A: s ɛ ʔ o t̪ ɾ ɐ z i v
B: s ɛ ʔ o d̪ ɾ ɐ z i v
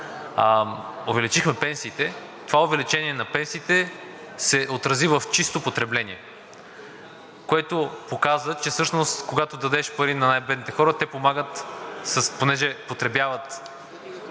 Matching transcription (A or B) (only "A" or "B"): A